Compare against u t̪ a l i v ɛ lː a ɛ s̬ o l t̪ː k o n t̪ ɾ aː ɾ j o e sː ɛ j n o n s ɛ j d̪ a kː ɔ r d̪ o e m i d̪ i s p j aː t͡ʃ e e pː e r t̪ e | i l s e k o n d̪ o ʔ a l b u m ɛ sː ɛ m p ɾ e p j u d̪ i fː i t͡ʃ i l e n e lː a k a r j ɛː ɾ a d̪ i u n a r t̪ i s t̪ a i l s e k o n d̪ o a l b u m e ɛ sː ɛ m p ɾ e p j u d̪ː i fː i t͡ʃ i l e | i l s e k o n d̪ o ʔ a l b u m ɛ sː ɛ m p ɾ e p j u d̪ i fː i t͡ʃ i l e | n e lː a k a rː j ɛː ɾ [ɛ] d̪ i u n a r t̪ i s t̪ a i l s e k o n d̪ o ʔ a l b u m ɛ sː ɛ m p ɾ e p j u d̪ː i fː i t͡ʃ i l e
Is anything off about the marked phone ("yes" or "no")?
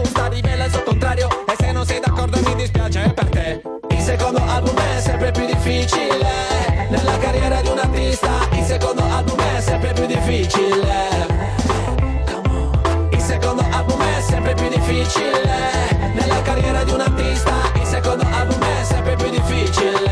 yes